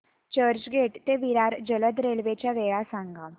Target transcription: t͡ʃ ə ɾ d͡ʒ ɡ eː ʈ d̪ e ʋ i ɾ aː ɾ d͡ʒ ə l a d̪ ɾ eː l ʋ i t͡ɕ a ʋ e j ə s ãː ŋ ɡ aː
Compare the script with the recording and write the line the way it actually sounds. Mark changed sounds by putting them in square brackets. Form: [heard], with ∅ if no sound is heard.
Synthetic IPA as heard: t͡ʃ ə ɾ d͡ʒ ɡ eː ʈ [t̪] e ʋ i ɾ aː ɾ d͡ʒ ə l [ə] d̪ ɾ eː l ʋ [e] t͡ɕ a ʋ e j [a] s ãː ŋ ɡ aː